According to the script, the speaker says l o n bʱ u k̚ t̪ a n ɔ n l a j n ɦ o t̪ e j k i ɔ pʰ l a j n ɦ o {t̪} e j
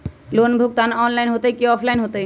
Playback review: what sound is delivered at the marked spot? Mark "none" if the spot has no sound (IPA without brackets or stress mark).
t̪